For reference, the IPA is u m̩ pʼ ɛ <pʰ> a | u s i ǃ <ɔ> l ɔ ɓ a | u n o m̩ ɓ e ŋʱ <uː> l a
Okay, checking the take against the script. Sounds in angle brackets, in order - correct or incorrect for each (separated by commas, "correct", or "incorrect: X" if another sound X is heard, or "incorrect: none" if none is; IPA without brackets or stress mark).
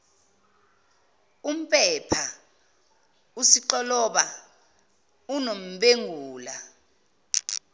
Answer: correct, correct, correct